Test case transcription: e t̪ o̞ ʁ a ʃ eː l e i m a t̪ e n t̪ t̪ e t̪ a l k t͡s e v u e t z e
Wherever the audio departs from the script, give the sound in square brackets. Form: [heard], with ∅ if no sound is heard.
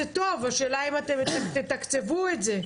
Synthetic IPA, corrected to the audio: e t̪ o̞ [v] a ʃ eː l [a] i m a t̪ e [m] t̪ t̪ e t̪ a [∅] k t͡s e v u e t z e

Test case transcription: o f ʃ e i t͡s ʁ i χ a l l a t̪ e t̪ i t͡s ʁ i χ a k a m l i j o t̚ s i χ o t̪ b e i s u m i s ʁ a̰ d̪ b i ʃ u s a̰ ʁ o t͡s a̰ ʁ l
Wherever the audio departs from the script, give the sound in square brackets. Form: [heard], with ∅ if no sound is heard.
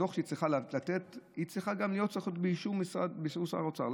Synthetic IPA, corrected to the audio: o [χ] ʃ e i t͡s ʁ i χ a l l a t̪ e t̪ i t͡s ʁ i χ a [ɡ] a m l i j o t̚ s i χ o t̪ b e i [ʃ] u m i s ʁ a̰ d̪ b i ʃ u s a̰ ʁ o t͡s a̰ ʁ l

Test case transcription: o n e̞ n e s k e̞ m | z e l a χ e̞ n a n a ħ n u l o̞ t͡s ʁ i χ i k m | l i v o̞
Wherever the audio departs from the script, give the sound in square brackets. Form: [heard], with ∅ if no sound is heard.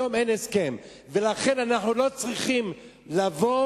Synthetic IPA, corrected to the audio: o [m] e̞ n e s k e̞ m | [v] e l a χ e̞ n a n a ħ n u l o̞ t͡s ʁ i χ i [∅] m | l [a] v o̞

